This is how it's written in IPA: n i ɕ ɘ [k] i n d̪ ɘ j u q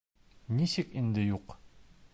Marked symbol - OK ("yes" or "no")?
yes